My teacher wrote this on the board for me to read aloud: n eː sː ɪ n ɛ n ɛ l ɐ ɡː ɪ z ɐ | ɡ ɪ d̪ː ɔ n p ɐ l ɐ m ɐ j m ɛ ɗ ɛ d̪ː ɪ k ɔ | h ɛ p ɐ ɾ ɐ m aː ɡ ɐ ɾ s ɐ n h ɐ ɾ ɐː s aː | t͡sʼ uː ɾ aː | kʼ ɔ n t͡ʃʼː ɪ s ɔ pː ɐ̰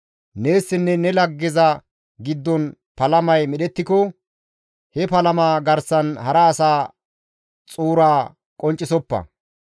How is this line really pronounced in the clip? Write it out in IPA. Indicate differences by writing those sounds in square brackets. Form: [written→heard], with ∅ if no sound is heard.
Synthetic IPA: n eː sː ɪ [n→nː] ɛ n ɛ l ɐ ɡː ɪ z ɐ | ɡ ɪ d̪ː ɔ n p ɐ l ɐ m ɐ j m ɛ ɗ ɛ [d̪ː→t̪ː] ɪ k ɔ | h ɛ p ɐ [ɾ→l] ɐ m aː ɡ ɐ ɾ s ɐ n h ɐ ɾ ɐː s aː | t͡sʼ uː ɾ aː | kʼ ɔ n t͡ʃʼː ɪ s ɔ pː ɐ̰